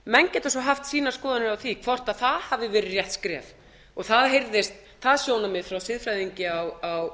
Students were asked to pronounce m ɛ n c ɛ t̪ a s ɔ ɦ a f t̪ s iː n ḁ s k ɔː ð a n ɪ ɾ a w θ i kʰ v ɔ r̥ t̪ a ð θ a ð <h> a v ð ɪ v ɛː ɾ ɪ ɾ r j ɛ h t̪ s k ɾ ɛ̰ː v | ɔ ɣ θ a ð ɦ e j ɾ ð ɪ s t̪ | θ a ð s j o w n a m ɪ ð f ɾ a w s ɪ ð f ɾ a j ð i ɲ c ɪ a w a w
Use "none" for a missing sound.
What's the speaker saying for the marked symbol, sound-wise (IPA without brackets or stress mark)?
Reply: h